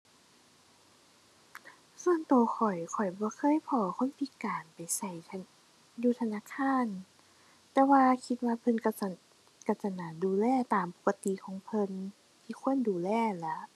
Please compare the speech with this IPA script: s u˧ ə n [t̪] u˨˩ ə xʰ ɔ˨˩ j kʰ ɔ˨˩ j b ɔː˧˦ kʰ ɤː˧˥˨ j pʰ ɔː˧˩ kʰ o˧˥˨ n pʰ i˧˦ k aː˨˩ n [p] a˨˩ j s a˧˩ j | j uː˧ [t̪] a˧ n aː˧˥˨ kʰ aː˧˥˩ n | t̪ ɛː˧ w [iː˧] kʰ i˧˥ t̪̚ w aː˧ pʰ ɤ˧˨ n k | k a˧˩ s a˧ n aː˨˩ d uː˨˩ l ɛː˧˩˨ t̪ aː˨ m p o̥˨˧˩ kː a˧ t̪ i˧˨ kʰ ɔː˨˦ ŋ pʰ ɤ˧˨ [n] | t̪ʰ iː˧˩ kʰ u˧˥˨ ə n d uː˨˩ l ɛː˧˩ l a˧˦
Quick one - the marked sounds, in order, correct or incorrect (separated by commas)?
correct, correct, incorrect, incorrect, correct